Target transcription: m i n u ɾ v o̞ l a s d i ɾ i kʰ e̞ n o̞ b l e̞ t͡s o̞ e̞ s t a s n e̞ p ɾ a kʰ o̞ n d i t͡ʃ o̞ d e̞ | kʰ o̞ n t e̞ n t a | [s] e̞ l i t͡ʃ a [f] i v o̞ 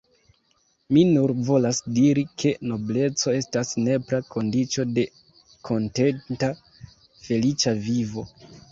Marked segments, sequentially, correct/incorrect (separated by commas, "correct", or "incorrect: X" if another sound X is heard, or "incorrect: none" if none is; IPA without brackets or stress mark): incorrect: f, incorrect: v